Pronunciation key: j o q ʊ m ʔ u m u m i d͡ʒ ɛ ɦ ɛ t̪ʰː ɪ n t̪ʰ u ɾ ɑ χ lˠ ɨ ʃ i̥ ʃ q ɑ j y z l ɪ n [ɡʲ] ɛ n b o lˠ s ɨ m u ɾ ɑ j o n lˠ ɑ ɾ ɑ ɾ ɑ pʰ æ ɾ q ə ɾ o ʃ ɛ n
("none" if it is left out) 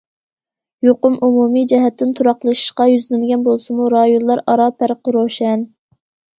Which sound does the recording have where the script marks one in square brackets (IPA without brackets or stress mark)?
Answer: ɡʲ